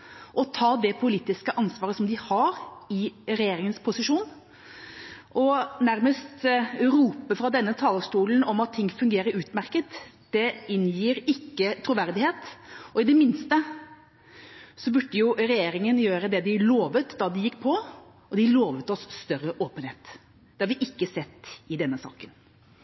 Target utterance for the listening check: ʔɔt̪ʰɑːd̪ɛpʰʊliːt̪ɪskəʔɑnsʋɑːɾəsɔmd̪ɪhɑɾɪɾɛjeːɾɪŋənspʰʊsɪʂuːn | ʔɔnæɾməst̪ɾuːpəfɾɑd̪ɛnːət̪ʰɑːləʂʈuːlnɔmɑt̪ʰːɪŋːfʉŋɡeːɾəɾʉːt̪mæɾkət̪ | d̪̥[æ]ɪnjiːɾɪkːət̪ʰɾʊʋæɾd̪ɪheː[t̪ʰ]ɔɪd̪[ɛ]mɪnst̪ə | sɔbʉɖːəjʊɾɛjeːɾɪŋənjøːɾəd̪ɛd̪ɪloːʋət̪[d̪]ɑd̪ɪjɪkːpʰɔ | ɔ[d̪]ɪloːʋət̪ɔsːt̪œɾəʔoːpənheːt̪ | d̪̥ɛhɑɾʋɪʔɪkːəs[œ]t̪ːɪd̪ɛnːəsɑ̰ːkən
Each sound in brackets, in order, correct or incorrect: incorrect, incorrect, correct, correct, correct, incorrect

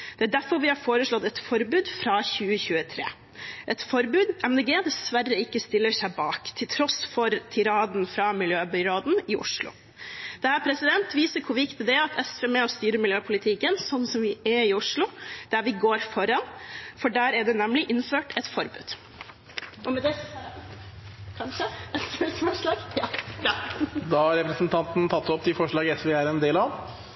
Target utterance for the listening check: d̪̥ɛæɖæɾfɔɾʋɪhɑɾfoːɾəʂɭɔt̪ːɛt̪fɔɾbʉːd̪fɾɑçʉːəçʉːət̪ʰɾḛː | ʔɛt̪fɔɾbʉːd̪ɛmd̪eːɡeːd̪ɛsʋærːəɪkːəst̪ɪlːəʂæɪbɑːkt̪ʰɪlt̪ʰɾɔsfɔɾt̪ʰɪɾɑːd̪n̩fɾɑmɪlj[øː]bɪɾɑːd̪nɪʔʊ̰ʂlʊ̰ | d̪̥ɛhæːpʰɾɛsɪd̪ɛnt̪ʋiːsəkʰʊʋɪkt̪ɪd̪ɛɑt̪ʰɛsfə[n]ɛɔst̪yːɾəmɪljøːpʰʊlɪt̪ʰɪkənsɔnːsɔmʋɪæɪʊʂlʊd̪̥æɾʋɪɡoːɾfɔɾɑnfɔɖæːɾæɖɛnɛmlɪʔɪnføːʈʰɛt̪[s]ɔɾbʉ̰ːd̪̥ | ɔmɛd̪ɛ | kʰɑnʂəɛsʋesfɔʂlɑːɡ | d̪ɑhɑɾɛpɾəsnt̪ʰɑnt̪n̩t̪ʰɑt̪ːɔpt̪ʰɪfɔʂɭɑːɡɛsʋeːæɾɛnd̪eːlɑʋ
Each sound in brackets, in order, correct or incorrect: correct, incorrect, incorrect

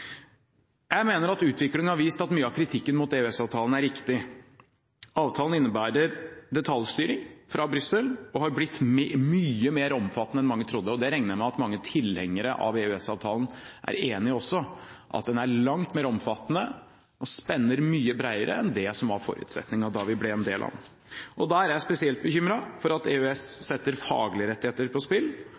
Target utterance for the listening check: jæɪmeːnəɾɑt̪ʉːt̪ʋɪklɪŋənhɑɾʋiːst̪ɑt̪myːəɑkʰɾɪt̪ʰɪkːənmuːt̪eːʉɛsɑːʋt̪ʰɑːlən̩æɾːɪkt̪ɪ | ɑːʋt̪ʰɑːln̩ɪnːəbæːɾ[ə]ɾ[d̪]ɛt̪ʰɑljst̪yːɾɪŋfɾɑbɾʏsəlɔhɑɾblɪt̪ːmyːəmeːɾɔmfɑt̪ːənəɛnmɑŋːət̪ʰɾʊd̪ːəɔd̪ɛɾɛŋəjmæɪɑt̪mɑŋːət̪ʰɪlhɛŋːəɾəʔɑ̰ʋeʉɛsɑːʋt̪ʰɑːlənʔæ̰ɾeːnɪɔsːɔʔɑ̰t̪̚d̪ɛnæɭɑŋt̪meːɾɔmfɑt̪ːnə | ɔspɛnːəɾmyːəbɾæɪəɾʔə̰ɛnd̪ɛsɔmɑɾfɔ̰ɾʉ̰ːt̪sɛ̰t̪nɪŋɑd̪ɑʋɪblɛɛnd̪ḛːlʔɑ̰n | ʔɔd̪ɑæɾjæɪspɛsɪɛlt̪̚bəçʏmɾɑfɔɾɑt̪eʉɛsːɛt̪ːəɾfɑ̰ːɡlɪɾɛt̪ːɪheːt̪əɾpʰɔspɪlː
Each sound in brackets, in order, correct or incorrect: correct, correct

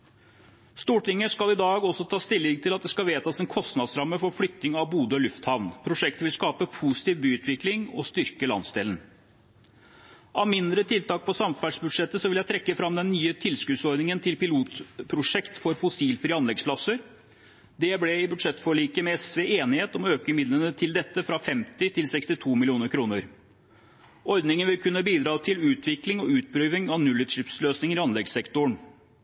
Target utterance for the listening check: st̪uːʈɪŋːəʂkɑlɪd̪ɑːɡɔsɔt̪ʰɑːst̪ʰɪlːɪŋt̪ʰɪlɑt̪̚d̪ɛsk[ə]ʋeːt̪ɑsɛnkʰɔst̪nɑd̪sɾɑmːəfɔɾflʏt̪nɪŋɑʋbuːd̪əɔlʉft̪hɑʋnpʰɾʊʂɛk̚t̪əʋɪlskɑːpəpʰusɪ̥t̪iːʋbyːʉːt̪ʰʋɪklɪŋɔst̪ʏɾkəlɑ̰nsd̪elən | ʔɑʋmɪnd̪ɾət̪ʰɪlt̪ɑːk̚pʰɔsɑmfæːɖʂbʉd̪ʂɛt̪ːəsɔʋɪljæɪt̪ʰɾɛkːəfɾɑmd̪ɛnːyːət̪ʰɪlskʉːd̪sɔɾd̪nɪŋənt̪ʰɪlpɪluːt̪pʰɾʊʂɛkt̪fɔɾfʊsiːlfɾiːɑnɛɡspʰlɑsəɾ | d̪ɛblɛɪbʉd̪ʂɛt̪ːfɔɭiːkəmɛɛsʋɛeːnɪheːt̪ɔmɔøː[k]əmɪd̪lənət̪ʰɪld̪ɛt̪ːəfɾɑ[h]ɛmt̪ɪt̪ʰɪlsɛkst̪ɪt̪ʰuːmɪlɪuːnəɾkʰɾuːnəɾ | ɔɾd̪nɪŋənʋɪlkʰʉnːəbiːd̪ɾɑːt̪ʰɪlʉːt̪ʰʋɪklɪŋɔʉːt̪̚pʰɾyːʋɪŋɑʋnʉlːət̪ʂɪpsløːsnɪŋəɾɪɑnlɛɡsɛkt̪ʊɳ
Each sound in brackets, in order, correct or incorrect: incorrect, correct, incorrect

